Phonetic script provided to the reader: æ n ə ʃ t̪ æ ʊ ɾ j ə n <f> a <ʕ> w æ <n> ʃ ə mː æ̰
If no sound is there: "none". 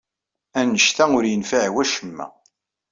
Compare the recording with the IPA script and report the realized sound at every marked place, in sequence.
f, ʕ, none

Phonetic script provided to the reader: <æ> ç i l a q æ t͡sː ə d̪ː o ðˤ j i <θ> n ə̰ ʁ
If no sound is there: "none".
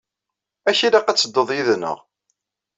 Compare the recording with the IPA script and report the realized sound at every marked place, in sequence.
æ, ð

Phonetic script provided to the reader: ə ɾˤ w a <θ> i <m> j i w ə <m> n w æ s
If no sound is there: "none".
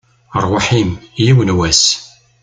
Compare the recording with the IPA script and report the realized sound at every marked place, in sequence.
ħ, m, none

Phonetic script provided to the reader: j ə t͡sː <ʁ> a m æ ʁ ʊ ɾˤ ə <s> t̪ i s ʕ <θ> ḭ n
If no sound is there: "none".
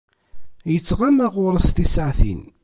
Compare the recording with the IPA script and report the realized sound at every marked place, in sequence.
ʁ, s, θ

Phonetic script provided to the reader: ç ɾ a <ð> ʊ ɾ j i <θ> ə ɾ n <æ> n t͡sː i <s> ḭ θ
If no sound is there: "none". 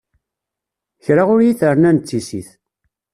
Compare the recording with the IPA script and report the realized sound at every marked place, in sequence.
ʁ, θ, æ, s

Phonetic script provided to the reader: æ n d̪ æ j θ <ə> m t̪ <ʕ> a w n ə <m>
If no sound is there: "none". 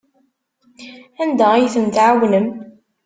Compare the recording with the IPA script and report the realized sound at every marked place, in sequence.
ə, ʕ, m

